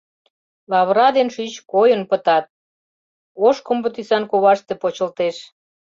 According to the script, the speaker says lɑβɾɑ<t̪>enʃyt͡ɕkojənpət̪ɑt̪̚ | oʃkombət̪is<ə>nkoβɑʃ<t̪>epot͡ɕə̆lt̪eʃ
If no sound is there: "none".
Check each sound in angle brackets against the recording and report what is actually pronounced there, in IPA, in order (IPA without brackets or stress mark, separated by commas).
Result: d̪, ɑ, t̪